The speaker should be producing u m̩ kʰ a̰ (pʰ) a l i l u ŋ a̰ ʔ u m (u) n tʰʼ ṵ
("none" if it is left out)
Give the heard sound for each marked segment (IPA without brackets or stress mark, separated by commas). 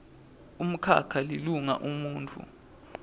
kʰ, uː